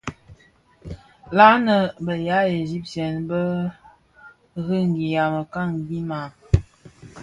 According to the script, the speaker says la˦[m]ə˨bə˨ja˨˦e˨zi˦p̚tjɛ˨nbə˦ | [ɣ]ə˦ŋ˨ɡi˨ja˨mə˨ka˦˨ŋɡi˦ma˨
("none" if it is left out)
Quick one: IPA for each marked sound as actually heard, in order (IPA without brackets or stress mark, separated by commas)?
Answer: n, ɣ